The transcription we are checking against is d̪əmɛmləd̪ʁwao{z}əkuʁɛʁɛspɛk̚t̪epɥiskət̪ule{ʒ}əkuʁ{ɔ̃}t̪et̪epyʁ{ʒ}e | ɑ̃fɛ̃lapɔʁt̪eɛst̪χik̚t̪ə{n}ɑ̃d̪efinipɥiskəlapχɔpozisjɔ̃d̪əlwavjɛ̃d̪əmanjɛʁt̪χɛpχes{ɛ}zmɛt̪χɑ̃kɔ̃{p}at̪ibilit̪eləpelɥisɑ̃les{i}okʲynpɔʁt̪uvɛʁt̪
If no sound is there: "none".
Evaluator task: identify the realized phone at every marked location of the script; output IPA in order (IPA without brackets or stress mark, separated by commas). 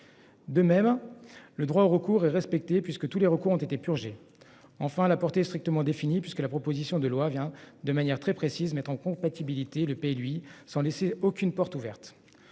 ʁ, ʁ, ɔ̃, ʒ, m, i, p, e